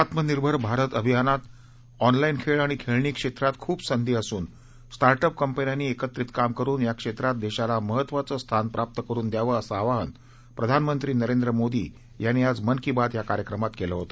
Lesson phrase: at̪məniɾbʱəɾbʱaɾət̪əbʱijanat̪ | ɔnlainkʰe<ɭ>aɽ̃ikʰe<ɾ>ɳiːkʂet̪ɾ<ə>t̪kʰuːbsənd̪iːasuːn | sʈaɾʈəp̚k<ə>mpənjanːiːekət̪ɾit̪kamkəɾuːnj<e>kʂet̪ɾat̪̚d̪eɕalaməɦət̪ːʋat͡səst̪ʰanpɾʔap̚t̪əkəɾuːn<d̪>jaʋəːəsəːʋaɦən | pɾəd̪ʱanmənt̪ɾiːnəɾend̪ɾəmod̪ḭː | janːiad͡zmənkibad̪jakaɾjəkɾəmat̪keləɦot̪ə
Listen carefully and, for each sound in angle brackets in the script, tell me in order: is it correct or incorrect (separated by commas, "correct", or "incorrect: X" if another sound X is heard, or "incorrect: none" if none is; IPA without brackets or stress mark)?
correct, incorrect: ɭ, incorrect: a, correct, incorrect: a, correct